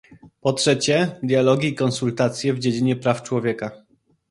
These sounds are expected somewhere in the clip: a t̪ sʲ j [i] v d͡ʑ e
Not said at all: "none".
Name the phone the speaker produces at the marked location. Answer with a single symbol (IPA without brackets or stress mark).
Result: ɛ